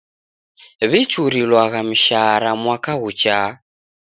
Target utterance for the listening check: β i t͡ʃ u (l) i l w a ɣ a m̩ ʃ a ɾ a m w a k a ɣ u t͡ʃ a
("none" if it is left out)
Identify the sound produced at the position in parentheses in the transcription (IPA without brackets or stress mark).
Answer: ɾ